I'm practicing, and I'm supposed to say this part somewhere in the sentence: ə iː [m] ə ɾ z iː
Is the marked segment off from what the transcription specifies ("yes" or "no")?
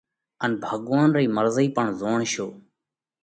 no